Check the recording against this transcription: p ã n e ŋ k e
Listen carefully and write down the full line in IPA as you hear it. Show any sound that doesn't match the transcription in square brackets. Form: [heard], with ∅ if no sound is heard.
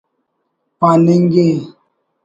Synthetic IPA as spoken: p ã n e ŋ [ɡ] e